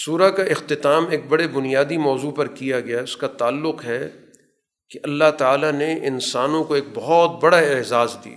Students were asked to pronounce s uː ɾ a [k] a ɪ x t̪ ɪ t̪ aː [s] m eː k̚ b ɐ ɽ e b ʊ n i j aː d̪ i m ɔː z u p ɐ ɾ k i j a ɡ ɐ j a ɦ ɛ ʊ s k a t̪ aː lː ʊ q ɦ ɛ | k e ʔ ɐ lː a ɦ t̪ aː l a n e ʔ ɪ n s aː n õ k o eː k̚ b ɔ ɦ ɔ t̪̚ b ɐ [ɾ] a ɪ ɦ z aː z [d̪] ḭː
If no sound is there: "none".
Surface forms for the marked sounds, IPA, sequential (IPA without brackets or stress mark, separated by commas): k, none, ɽ, d̪